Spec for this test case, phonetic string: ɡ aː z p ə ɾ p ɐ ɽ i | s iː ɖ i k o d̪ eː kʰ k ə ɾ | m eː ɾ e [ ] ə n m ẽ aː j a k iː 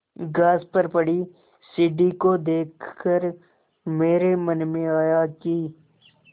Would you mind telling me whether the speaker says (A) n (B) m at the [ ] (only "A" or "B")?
B